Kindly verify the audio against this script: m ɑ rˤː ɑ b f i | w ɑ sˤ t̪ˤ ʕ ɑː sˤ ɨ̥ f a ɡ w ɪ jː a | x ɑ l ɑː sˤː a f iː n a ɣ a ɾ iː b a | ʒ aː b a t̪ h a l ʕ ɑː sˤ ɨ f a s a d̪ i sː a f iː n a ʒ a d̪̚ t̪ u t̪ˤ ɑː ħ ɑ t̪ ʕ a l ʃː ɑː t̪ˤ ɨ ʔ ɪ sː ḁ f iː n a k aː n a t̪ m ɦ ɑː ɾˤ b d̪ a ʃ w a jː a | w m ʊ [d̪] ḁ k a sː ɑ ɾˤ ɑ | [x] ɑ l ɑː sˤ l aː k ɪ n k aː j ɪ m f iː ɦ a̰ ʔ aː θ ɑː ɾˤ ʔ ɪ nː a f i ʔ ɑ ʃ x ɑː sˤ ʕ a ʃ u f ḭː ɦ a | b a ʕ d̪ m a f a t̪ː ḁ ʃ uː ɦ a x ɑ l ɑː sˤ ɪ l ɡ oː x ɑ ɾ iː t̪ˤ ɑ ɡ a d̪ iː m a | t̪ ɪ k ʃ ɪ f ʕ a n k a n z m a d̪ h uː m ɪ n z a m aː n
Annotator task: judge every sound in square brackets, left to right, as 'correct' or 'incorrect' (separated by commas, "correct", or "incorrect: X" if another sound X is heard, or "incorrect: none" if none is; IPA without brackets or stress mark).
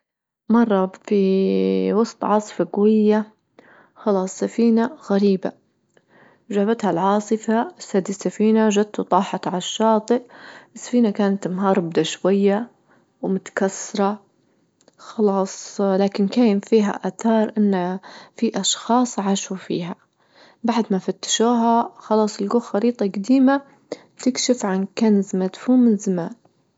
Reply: incorrect: t̪, correct